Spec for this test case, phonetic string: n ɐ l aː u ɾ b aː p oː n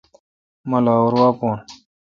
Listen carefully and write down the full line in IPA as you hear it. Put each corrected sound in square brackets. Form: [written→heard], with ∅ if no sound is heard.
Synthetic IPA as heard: [n→m] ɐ l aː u ɾ [b→w] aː p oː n